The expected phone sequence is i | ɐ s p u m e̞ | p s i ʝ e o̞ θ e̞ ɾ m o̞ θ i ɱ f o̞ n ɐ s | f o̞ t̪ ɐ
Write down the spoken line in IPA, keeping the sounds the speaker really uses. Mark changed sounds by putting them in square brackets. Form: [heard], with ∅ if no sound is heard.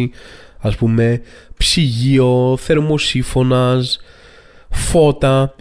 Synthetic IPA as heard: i | ɐ s p u m e̞ | p s i ʝ [i] o̞ θ e̞ ɾ m o̞ [s] i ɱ f o̞ n ɐ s | f o̞ t̪ ɐ